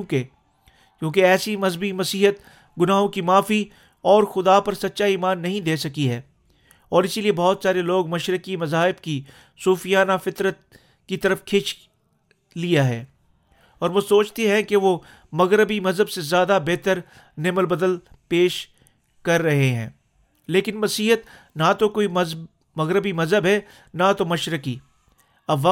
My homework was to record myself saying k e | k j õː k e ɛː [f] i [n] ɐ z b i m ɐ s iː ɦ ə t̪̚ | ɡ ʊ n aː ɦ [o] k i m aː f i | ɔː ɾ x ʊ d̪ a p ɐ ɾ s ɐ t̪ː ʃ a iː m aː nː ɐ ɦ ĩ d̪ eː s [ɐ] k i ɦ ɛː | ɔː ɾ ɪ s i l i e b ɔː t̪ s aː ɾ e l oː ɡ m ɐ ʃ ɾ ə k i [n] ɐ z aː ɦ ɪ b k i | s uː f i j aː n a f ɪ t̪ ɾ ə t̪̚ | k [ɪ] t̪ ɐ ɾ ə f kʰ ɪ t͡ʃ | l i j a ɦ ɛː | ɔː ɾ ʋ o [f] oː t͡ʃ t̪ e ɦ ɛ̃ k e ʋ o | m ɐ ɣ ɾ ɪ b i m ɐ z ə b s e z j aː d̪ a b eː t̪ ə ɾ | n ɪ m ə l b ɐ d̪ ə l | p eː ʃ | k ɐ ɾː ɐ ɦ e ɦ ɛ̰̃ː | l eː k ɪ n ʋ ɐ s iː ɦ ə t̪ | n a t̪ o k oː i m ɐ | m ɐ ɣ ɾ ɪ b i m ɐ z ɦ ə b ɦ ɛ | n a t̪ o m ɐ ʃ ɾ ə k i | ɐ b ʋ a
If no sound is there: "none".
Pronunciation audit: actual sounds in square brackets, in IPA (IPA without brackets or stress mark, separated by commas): s, m, õ, ɐ, m, i, s